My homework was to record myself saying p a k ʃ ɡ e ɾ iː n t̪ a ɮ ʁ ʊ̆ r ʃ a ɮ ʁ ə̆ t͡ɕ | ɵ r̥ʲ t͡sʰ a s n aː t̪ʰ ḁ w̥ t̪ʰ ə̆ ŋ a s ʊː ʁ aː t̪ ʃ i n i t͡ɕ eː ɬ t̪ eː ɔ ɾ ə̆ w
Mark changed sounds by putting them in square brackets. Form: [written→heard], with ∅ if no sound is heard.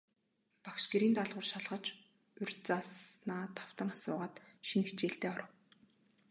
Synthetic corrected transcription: p a k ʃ ɡ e ɾ iː n t̪ a ɮ ʁ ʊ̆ r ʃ a ɮ ʁ ə̆ t͡ɕ | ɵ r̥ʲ [t͡sʰ→t͡s] a s n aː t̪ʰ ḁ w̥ [t̪ʰ→t̪] ə̆ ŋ a s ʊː ʁ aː t̪ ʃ i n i t͡ɕ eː ɬ t̪ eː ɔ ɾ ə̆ w